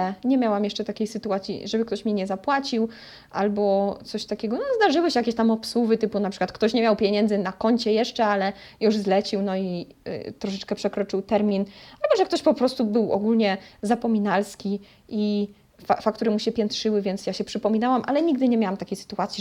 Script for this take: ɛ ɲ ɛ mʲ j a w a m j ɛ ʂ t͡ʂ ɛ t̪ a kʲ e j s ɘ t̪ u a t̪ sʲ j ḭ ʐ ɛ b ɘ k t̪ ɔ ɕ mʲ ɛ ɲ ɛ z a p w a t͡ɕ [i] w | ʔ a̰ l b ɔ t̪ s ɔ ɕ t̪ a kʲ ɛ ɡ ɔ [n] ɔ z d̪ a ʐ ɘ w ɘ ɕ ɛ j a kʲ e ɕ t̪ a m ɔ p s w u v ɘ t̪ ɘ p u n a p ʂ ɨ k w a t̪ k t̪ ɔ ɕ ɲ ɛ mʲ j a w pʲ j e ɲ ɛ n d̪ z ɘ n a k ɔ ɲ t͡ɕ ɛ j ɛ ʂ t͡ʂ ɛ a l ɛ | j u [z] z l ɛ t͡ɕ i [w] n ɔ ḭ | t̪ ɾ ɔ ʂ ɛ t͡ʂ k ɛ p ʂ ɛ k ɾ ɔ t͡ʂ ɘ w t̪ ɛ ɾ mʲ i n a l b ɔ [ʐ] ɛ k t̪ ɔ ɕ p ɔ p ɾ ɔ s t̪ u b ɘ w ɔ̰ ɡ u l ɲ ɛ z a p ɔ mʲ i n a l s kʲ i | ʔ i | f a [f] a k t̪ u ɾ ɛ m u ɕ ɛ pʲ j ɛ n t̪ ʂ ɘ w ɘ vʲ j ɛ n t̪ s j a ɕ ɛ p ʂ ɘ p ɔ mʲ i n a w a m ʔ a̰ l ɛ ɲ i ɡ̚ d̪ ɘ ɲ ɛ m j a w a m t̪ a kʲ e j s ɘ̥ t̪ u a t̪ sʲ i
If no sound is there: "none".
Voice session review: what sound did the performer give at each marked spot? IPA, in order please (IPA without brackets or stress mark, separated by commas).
i, n, ʐ, w, ʐ, f